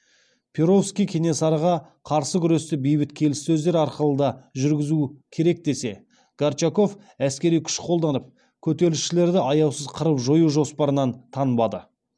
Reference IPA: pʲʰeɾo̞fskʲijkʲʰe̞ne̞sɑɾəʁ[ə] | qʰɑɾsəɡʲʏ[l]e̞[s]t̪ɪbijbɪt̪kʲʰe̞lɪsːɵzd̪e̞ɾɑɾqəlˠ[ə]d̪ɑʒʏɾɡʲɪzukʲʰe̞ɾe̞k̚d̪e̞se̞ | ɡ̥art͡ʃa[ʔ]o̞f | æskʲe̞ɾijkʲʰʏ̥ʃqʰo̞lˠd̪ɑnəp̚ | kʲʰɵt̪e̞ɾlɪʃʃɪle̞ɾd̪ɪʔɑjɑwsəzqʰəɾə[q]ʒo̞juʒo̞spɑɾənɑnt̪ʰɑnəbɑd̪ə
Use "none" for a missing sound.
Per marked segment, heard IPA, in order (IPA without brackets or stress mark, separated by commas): ɑ, ɾ, s, ə, k, p